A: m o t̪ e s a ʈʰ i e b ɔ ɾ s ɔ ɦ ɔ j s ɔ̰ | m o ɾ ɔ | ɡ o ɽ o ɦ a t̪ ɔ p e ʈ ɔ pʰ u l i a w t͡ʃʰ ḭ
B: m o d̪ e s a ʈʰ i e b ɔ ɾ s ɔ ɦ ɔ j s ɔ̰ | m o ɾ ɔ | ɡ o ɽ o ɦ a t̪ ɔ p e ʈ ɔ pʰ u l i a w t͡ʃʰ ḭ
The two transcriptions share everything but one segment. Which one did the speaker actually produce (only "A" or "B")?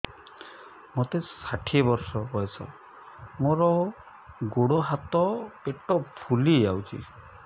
A